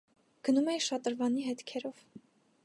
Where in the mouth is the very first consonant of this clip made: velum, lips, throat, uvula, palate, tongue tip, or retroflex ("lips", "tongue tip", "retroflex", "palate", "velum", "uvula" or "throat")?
velum